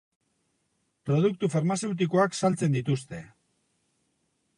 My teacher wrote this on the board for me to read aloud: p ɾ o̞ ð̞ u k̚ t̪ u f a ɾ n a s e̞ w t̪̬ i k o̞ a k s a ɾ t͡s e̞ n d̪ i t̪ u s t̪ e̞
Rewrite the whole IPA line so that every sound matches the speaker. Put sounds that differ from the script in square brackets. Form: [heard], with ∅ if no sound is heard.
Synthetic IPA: p ɾ o̞ ð̞ u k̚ t̪ u f a ɾ [m] a s e̞ w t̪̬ i k o̞ a k s a [l] t͡s e̞ n d̪ i t̪ u s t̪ e̞